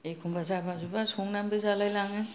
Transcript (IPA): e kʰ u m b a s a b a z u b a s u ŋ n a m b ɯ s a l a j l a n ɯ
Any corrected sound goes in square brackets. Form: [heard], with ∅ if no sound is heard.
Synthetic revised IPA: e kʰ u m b a [z] a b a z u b a s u ŋ n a m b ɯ [z] a l a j l a [ŋ] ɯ